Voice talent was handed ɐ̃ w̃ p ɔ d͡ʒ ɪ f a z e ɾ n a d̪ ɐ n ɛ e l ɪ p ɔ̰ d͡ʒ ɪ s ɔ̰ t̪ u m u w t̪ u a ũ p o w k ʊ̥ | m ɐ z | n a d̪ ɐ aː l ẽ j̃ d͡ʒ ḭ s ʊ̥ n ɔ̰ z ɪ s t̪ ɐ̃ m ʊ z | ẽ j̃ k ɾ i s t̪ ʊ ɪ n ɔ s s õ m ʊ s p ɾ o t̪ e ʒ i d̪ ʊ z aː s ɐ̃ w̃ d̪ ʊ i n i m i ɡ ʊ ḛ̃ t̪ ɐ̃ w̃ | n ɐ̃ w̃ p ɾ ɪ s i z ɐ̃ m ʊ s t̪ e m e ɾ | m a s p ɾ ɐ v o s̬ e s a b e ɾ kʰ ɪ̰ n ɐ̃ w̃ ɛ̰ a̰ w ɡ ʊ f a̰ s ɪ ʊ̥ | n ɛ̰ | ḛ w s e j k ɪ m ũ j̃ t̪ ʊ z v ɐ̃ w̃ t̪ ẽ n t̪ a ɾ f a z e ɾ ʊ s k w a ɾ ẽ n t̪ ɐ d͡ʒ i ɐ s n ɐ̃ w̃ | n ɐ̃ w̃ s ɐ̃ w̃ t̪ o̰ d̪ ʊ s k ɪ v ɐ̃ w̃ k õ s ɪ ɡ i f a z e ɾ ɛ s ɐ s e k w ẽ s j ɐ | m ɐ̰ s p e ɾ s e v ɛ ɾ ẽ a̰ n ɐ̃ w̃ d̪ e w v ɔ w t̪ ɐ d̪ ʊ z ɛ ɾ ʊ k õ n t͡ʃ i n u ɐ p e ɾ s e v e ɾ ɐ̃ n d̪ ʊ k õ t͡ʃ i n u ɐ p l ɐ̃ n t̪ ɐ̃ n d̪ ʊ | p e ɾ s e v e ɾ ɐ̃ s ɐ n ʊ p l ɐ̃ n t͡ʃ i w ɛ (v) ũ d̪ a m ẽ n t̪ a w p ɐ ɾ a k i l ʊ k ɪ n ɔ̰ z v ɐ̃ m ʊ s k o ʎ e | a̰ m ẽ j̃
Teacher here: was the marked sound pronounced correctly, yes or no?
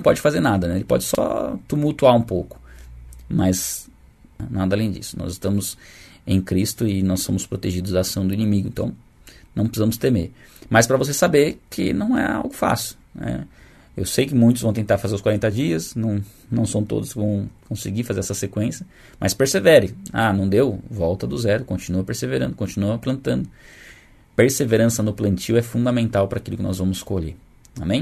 no